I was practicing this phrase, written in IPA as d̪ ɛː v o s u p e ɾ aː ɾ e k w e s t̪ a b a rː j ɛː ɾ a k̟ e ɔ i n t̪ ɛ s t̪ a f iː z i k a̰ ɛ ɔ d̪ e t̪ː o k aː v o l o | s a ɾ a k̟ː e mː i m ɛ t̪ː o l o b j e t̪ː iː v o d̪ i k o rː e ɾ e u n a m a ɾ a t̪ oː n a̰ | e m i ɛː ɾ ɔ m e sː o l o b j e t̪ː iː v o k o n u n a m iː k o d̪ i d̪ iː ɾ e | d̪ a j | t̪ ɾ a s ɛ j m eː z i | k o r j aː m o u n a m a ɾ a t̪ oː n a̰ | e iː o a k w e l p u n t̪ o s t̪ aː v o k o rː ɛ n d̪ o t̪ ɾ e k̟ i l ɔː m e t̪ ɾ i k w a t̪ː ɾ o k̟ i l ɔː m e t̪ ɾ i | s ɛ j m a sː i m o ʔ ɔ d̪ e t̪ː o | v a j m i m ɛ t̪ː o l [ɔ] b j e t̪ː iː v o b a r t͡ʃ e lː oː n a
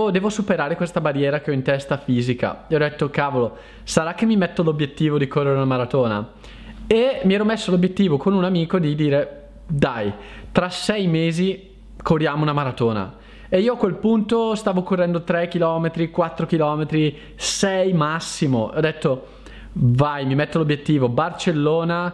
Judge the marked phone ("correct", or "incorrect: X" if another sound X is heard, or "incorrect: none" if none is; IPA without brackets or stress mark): incorrect: o